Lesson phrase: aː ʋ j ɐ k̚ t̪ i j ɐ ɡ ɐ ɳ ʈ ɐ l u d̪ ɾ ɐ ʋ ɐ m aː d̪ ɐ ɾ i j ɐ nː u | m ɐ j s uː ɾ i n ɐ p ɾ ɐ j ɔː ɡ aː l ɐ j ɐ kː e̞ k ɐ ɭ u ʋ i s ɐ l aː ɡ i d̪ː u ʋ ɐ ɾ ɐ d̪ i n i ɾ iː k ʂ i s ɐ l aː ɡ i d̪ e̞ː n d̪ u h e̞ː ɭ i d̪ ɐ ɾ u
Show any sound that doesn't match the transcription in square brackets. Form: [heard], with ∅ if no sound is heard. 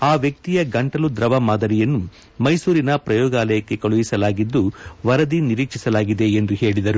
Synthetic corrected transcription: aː ʋ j ɐ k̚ t̪ i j ɐ ɡ ɐ ɳ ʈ ɐ l u d̪ ɾ ɐ ʋ ɐ m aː d̪ ɐ ɾ i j ɐ nː u | m ɐ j s uː ɾ i n ɐ p ɾ ɐ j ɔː ɡ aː l ɐ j ɐ kː e̞ k ɐ ɭ u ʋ i s ɐ l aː ɡ i d̪ː u ʋ ɐ ɾ ɐ d̪ i n i ɾ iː k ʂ i s ɐ l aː ɡ i d̪ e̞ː n d̪ u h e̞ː ɭ i d̪ ɐ ɾ u